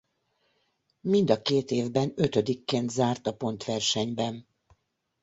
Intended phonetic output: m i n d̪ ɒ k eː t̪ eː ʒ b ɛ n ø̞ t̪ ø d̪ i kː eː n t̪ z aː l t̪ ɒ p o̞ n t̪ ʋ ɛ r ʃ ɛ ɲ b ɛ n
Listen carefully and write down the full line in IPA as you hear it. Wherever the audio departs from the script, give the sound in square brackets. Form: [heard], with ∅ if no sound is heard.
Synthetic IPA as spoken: m i n d̪ ɒ k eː t̪ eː [v] b ɛ n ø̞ t̪ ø d̪ i kː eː n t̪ z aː [r] t̪ ɒ p o̞ n t̪ ʋ ɛ r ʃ ɛ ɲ b ɛ n